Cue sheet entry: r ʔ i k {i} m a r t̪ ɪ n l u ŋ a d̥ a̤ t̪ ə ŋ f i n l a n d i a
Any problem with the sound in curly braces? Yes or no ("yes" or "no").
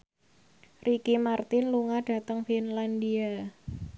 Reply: no